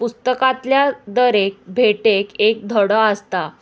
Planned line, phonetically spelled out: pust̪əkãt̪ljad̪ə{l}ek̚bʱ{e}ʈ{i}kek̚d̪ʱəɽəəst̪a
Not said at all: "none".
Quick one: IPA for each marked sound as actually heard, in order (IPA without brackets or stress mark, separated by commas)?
ɾ, e, e